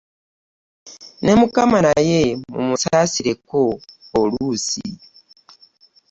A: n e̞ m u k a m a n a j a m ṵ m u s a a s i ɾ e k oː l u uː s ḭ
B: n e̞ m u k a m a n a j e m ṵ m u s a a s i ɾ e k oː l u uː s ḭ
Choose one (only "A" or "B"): B